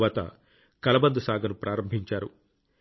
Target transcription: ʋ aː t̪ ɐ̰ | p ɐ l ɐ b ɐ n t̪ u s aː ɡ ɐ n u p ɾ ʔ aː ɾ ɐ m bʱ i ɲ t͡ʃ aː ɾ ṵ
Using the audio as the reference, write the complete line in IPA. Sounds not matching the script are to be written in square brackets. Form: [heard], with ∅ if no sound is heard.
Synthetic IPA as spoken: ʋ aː t̪ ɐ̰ | [k] ɐ l ɐ b ɐ n [d̪] u s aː ɡ ɐ n u p ɾ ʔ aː ɾ ɐ m bʱ i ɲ t͡ʃ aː ɾ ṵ